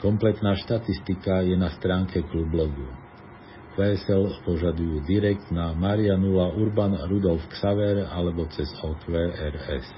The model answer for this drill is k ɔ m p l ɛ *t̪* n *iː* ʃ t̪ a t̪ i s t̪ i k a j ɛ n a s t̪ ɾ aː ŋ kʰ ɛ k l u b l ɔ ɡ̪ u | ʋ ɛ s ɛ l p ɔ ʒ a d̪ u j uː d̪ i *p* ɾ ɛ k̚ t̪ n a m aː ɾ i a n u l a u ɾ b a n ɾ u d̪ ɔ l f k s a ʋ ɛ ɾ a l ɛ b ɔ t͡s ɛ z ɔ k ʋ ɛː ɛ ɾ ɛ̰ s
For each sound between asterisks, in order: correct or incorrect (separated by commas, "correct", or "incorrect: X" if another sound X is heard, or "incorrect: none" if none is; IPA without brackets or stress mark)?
correct, incorrect: aː, incorrect: none